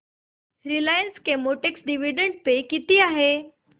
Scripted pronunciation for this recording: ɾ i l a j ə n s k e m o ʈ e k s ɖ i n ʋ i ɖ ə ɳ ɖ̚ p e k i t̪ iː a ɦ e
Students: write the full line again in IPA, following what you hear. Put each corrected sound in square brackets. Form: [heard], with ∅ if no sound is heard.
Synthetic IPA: ɾ i l a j ə n s k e m o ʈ e k s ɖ i [∅] ʋ i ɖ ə ɳ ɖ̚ p e k i t̪ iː a ɦ e